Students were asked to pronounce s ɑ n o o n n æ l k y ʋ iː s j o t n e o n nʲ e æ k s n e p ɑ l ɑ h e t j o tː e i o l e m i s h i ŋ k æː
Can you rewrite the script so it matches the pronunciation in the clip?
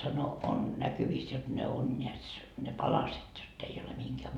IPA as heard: s ɑ n o o n n æ k y ʋ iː s j o t n e o n nʲ e æ t s n e p ɑ l ɑ s e t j o tː e i o l e m i h i ŋ k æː